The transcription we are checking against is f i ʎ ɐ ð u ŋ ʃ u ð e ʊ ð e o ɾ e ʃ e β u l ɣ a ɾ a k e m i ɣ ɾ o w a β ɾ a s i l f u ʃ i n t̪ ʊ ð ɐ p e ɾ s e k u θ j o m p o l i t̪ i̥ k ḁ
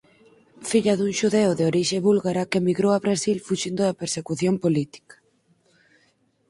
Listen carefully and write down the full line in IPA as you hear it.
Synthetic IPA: f i ʎ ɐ ð u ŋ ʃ u ð e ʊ ð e o ɾ i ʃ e β u l ɣ a ɾ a k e m i ɣ ɾ o w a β ɾ a s i l f u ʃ i n d̪ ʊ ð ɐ p e ɾ s e k u θ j o m p o l i t̪ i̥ k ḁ